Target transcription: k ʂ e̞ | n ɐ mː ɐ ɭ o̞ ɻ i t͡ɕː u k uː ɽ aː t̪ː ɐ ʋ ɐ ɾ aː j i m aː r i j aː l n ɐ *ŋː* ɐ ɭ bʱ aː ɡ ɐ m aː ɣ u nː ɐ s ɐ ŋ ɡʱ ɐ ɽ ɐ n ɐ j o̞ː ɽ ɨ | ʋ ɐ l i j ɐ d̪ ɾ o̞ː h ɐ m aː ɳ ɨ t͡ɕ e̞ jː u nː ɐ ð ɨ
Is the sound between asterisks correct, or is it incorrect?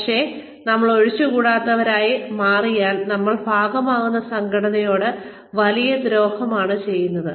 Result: incorrect: mː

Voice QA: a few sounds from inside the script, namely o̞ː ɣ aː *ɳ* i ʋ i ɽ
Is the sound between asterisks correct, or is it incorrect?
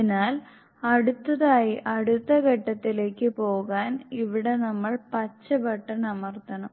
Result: incorrect: n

